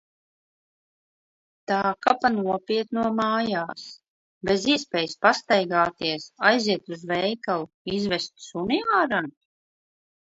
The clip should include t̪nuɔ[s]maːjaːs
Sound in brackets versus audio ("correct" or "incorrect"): incorrect